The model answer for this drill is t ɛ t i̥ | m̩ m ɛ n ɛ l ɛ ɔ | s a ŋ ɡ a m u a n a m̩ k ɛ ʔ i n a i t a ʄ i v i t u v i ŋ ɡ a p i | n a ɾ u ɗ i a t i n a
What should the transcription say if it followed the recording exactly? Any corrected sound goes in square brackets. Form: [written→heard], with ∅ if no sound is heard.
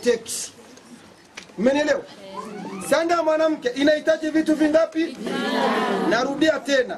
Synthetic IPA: t ɛ [t→k] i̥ | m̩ m ɛ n ɛ l ɛ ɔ | s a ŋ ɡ a m [u→w] a n a m̩ k ɛ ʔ i n a i t a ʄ i v i t u v i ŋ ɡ a p i | n a ɾ u ɗ i a t [i→ɛ] n a